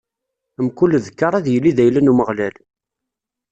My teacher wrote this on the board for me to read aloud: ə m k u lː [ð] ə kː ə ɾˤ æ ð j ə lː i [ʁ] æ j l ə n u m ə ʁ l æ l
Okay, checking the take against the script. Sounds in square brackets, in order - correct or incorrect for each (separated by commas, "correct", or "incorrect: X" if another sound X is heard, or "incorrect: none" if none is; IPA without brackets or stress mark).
correct, incorrect: ð